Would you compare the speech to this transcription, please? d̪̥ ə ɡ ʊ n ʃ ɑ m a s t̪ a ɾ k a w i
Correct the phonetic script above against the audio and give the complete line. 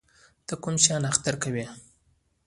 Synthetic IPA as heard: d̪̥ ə k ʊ m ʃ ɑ n a x t̪ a ɾ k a w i